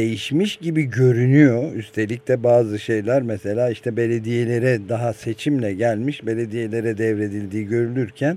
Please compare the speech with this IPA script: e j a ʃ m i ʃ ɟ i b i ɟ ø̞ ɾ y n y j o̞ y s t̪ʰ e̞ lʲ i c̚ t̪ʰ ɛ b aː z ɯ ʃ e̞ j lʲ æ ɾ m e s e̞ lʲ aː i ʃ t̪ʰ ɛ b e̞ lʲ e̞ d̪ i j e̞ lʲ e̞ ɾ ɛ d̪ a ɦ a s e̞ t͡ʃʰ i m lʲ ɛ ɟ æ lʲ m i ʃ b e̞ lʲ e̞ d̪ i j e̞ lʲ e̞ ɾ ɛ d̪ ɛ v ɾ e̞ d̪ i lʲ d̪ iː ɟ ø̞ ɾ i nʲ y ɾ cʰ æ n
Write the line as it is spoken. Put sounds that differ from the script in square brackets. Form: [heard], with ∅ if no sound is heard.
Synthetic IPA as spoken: e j [i] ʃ m i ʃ ɟ i b i ɟ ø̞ ɾ y n y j o̞ y s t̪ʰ e̞ lʲ i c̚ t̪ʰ ɛ b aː z ɯ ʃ e̞ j lʲ æ ɾ m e s e̞ lʲ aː i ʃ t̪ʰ ɛ b e̞ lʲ e̞ d̪ i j e̞ lʲ e̞ ɾ ɛ d̪ a ɦ a s e̞ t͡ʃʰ i m lʲ ɛ ɟ æ lʲ m i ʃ b e̞ lʲ e̞ d̪ i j e̞ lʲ e̞ ɾ ɛ d̪ ɛ v ɾ e̞ d̪ i lʲ d̪ iː ɟ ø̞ ɾ [y] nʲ y ɾ cʰ æ n